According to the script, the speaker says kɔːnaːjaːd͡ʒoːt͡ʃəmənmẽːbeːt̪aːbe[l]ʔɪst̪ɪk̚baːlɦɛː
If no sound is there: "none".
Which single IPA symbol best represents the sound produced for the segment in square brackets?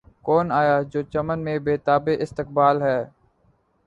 none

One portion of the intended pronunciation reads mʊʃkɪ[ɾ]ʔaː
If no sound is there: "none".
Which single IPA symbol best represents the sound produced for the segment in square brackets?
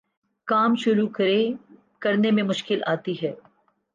l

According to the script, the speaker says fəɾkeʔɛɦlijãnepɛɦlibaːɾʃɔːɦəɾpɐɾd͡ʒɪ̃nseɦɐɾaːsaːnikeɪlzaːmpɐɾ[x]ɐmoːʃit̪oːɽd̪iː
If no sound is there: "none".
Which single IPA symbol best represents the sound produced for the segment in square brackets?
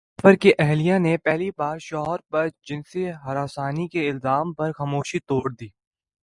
x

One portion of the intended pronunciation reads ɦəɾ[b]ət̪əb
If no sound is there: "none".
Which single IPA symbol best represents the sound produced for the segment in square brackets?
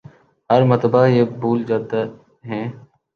m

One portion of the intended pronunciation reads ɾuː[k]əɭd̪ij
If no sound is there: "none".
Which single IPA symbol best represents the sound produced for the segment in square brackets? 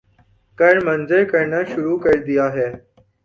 k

